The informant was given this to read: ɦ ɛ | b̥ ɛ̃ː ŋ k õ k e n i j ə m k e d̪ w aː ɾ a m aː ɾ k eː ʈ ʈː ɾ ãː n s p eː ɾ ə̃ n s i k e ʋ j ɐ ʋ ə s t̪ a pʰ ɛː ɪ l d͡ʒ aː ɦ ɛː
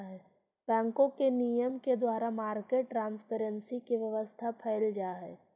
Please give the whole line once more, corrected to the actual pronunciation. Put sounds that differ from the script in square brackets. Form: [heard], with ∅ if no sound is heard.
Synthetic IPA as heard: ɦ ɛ | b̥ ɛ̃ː ŋ k õ k e n i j ə m k e d̪ w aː ɾ a m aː ɾ k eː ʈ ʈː ɾ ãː n s p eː ɾ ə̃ n s i k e ʋ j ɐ ʋ ə s [t̪ʰ] a pʰ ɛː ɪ l d͡ʒ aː ɦ ɛː

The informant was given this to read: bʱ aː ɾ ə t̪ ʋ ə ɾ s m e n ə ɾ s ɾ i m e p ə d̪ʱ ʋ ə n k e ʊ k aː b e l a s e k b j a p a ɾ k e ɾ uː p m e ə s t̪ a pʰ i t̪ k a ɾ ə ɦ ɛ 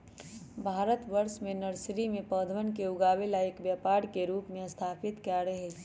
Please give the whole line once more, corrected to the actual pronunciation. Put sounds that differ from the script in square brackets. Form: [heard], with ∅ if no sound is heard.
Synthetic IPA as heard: bʱ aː ɾ ə t̪ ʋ ə ɾ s m e n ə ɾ s ɾ i m e p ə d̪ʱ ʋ ə n k e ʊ [ɡ] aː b e l a [∅] e k b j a p a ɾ k e ɾ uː p m e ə s [t̪ʰ] a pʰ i t̪ k a ɾ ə ɦ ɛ

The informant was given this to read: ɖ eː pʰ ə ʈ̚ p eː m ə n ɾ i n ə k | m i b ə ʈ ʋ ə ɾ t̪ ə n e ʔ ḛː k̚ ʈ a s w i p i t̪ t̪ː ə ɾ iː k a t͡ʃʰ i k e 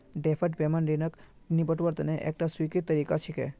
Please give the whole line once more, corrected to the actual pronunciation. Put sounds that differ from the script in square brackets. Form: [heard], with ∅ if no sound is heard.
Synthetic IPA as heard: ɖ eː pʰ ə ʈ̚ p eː m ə n ɾ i n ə k | [n] i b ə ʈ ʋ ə ɾ t̪ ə n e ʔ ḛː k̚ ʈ a s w i [k] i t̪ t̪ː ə ɾ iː k a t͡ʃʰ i k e

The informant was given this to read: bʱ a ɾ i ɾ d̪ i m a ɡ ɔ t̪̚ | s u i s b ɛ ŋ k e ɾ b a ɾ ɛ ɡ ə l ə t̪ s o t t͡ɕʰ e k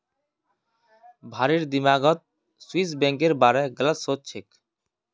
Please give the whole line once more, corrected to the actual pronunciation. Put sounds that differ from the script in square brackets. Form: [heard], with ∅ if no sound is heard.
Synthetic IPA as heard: bʱ a ɾ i ɾ d̪ i m a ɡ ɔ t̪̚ | s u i s b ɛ ŋ k e ɾ b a ɾ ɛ ɡ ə l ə t̪ s o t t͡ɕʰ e k

